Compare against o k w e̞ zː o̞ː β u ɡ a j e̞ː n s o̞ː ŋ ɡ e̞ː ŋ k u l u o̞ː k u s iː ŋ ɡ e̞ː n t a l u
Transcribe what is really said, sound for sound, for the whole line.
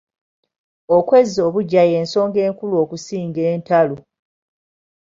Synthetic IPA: o k w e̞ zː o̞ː β u ɟ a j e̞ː n s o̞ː ŋ ɡ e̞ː ŋ k u l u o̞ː k u s iː ŋ ɡ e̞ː n t a l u